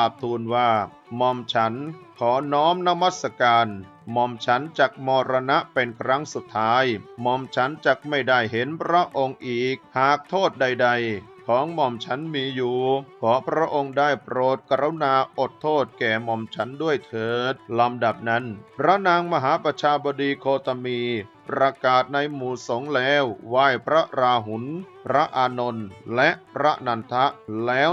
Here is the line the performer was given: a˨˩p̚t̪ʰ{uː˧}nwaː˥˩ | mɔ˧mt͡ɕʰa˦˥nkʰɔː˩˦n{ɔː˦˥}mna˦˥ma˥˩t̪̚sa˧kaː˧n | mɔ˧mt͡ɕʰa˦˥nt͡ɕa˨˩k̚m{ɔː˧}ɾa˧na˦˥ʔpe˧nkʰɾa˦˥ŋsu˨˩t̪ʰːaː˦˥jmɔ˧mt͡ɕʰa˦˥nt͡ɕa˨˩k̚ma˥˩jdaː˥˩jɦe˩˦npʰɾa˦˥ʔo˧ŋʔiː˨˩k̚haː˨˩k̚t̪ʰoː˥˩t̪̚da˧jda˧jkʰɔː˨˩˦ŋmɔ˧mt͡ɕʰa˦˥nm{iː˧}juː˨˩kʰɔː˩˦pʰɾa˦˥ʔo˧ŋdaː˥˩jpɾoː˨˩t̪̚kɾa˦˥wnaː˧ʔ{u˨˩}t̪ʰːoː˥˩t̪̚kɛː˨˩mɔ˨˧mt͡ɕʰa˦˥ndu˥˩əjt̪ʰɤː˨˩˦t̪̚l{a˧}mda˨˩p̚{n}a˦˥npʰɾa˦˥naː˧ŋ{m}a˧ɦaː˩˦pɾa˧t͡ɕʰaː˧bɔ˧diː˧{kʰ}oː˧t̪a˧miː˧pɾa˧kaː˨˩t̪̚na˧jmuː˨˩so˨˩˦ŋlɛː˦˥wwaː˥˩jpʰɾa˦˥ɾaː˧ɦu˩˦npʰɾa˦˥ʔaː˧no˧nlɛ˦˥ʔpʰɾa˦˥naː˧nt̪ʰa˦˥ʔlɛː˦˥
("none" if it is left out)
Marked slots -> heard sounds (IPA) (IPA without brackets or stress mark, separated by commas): uː˧, ɔː˦˥, ɔː˧, iː˧, o˨˩, a˧, n, m, kʰ